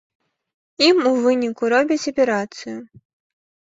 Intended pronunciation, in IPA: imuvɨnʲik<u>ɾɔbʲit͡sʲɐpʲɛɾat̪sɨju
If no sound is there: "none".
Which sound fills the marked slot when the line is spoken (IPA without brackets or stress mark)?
u